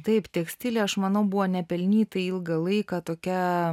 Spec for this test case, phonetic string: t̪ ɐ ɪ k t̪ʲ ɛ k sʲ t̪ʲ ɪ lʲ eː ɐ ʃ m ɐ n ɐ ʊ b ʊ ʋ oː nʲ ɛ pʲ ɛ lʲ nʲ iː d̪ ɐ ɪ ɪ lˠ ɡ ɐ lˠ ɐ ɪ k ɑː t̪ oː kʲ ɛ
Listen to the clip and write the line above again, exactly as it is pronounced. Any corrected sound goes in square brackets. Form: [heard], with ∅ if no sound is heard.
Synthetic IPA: t̪ ɐ ɪ [p] t̪ʲ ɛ k sʲ t̪ʲ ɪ lʲ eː ɐ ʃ m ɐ n ɐ ʊ b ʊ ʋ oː nʲ ɛ pʲ ɛ lʲ nʲ iː [t̪] ɐ ɪ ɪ lˠ ɡ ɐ lˠ ɐ ɪ k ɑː t̪ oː kʲ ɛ